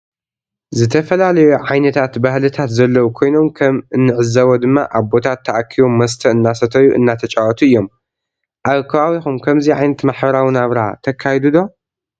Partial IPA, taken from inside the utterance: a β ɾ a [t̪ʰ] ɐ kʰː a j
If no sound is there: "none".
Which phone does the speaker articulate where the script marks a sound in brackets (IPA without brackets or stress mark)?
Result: t̪ʰ